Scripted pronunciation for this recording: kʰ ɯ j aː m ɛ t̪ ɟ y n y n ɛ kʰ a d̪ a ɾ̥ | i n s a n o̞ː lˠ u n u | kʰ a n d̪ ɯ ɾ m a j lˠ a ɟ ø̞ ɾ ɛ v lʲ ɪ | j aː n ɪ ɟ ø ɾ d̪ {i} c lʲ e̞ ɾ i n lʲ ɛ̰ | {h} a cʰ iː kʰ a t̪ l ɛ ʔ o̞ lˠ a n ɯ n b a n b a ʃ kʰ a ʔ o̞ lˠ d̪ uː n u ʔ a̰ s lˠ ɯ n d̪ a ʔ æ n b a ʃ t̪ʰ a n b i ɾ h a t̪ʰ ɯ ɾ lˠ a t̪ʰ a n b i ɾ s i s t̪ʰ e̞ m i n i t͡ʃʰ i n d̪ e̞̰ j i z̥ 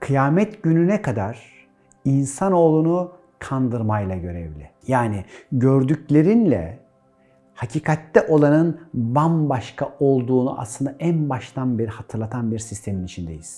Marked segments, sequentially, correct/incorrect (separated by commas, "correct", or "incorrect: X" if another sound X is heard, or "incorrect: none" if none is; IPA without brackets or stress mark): incorrect: y, correct